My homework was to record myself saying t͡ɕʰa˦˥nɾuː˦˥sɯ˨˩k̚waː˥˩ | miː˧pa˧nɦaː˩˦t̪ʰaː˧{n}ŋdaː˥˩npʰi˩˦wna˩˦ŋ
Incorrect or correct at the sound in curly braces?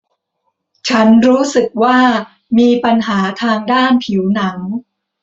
incorrect: none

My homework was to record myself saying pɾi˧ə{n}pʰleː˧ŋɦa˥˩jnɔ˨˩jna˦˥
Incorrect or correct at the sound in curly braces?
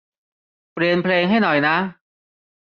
correct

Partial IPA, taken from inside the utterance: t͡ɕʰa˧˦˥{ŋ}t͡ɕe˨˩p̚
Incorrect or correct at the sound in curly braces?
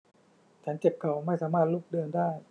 incorrect: n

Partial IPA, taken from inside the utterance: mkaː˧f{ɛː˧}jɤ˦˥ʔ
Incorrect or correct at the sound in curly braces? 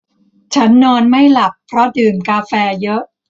correct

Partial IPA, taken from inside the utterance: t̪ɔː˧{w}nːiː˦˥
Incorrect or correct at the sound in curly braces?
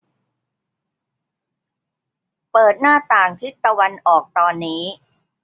incorrect: none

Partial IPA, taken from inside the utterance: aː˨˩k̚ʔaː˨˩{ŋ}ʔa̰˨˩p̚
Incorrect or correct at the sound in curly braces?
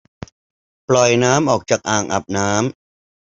correct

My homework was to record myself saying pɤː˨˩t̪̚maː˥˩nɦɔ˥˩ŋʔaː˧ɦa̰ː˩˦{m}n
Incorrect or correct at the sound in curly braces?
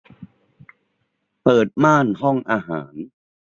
incorrect: none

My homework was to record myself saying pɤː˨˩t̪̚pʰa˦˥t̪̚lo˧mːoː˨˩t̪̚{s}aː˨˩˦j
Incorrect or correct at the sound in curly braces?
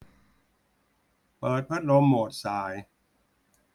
correct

